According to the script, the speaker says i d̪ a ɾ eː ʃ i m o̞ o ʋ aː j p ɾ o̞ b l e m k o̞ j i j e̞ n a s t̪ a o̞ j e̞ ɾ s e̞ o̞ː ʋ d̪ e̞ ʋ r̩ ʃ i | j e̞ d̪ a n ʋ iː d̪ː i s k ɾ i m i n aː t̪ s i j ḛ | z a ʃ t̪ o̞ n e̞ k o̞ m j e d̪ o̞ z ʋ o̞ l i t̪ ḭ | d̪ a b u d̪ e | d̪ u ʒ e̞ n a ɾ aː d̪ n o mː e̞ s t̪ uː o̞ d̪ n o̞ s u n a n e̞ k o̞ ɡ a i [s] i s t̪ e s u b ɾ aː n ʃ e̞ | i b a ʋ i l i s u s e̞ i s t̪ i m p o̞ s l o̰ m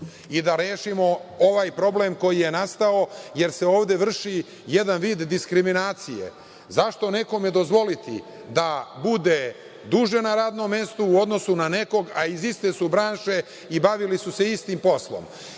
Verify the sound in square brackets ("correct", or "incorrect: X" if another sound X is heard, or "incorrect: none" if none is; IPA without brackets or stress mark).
incorrect: z